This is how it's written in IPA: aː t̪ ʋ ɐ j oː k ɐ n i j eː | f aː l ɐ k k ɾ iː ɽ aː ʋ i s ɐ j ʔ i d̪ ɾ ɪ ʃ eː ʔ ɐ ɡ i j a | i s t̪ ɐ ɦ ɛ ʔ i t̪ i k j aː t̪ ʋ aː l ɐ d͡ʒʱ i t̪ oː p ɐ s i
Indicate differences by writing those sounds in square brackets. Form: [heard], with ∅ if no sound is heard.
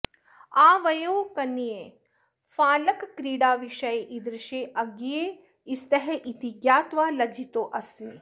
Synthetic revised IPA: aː [∅] ʋ ɐ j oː k ɐ n i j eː | f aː l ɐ k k ɾ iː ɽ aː ʋ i [ʃ] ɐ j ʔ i d̪ ɾ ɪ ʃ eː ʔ ɐ ɡ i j [e] | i s t̪ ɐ ɦ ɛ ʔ i t̪ i [ɡ] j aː t̪ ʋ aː l ɐ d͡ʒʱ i t̪ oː [ʔ] ɐ s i